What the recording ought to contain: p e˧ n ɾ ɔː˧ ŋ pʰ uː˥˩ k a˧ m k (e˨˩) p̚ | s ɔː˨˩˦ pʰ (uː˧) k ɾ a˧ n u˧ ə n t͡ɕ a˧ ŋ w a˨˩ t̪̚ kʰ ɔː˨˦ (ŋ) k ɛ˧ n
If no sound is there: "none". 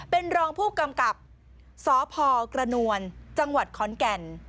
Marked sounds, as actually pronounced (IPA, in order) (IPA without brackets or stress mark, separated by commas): a˨˩, ɔː˧, n